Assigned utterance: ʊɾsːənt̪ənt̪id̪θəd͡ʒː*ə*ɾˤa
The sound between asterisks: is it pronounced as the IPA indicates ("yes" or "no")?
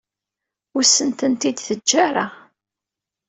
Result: no